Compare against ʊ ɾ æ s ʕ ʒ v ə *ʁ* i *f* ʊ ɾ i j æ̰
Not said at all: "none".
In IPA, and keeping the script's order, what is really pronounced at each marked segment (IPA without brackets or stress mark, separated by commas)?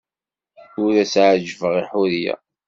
ʁ, ħ